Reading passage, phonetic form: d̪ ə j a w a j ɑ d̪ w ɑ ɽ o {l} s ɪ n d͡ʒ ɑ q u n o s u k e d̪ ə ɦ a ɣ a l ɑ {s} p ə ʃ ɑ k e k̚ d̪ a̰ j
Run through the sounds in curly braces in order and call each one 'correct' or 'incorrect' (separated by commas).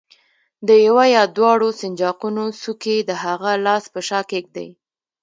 incorrect, correct